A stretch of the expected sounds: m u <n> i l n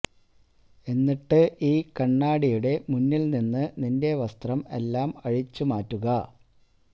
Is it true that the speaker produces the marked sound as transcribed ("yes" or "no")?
no